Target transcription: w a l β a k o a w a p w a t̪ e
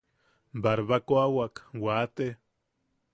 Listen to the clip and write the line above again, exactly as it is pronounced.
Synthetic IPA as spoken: b a ɾ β a k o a w a k w a t̪ e